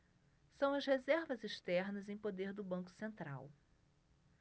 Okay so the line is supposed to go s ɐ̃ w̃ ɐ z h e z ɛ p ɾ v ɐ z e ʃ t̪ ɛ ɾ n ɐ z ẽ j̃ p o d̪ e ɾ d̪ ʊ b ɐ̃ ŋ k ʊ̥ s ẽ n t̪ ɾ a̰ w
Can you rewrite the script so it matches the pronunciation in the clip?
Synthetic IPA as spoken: s ɐ̃ w̃ ɐ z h e z ɛ ɾ v ɐ z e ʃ t̪ ɛ ɾ n ɐ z ẽ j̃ p o d̪ e ɾ d̪ ʊ b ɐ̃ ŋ k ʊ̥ s ẽ n t̪ ɾ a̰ w